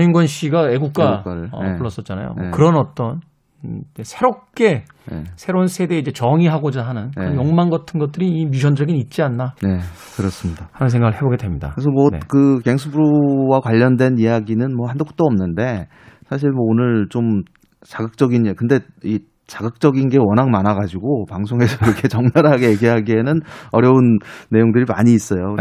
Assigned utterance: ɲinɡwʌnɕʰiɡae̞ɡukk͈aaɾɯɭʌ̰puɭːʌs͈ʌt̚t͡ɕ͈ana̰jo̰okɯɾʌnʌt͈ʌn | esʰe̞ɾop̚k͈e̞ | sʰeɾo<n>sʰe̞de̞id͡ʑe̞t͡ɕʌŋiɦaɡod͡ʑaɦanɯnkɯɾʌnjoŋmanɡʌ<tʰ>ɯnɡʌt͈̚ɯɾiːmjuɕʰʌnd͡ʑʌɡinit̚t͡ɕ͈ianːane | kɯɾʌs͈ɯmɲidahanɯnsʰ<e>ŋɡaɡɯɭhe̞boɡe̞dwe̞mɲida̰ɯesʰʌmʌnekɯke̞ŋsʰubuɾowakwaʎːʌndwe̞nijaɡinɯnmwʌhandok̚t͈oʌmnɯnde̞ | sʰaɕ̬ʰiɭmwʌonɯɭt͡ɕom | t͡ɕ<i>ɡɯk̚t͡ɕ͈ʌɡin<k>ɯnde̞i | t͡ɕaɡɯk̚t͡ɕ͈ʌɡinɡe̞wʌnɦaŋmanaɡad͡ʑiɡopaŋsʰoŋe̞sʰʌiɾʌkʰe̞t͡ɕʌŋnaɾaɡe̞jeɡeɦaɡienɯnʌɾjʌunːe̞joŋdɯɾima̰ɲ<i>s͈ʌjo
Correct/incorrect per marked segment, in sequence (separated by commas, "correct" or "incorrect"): correct, correct, correct, incorrect, correct, incorrect